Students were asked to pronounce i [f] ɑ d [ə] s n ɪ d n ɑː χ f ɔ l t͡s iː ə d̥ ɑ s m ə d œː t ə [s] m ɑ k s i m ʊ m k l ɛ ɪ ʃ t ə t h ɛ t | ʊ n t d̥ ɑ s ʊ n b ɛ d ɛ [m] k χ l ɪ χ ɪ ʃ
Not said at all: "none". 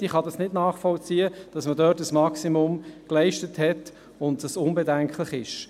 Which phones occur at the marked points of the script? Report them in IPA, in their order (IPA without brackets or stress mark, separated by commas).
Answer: χ, ɑ, s, ŋ